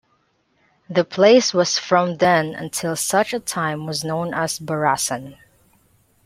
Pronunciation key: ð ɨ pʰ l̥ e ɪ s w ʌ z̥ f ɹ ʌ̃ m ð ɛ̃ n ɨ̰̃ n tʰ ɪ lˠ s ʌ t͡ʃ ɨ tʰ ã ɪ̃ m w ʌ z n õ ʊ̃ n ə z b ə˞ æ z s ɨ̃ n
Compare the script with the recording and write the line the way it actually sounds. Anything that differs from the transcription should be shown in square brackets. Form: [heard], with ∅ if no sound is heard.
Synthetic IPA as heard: ð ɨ pʰ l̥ e ɪ s w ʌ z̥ f ɹ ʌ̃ m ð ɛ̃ n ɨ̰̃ n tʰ ɪ lˠ s ʌ t͡ʃ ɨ tʰ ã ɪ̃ m w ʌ z n õ ʊ̃ n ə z b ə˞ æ [∅] s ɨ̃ n